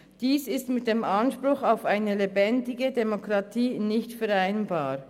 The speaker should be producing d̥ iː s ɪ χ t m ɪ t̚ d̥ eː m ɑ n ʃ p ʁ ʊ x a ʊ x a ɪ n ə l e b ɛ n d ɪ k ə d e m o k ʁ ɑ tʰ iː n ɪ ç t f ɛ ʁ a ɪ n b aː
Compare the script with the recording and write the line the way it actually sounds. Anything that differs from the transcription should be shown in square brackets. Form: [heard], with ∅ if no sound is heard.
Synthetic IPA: d̥ iː s ɪ [s] t m ɪ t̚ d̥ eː m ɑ n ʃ p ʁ ʊ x a ʊ [f] a ɪ n ə l e b ɛ n d ɪ [ɡ] ə d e m o k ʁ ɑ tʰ iː n ɪ ç t f ɛ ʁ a ɪ n b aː